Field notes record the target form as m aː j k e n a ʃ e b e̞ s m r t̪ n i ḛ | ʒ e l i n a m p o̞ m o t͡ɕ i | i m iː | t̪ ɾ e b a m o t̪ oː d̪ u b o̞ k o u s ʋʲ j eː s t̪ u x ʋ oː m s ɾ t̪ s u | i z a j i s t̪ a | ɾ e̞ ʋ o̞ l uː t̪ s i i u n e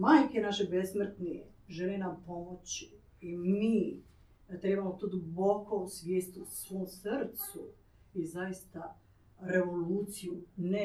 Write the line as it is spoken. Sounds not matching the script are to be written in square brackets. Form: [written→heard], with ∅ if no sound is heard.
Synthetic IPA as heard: m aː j k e n a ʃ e b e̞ s m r t̪ n i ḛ | ʒ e l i n a m p o̞ m o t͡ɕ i | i m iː | t̪ ɾ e b a m o t̪ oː d̪ u b o̞ k o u s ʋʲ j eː s t̪ u [x→s] ʋ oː m s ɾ t̪ s u | i z a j i s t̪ a | ɾ e̞ ʋ o̞ l uː t̪ s i [i→j] u n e